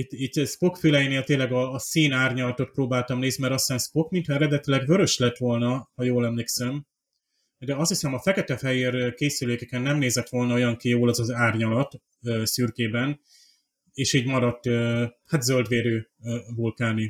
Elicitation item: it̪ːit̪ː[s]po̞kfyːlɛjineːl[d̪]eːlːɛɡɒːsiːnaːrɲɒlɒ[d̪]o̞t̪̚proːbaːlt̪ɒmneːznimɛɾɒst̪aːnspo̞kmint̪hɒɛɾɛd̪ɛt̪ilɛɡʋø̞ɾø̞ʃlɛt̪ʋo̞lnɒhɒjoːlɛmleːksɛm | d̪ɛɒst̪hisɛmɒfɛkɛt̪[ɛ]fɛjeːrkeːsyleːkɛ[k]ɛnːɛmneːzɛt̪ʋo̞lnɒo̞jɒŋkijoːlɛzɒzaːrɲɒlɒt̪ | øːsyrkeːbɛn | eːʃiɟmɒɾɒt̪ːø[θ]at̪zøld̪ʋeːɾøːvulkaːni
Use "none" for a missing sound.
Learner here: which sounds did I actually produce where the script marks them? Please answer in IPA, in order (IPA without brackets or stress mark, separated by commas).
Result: s, t̪, t̪, ɛ, k, h